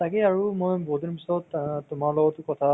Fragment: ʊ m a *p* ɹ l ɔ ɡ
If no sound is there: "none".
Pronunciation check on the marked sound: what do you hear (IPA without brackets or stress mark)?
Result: none